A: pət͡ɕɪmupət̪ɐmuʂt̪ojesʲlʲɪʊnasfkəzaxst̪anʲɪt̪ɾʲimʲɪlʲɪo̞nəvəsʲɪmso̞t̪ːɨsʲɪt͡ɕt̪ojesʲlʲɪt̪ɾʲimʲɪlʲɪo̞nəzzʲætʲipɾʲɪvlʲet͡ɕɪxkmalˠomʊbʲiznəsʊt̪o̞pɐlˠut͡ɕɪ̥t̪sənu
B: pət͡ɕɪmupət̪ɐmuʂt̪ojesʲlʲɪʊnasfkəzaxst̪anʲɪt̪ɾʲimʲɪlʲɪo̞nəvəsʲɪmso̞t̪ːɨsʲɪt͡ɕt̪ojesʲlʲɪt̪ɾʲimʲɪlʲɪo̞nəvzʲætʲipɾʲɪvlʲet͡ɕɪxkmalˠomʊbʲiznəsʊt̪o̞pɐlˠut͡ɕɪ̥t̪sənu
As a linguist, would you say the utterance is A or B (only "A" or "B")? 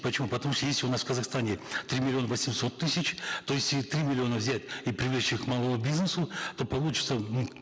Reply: B